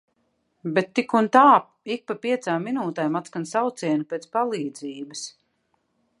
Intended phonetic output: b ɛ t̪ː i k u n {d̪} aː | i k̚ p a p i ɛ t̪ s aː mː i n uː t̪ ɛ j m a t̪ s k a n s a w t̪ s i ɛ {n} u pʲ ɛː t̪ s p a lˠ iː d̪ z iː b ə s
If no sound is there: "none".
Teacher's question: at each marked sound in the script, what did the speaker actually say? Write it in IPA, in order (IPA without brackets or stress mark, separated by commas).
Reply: t̪, n